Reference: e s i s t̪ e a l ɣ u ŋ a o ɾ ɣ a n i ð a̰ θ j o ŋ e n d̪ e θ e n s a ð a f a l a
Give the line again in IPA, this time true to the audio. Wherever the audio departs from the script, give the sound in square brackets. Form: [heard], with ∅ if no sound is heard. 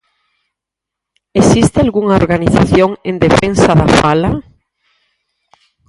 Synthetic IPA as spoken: e s i s t̪ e a l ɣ u ŋ a o ɾ ɣ a n i [θ] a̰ θ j o ŋ e n d̪ e [f] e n s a ð a f a l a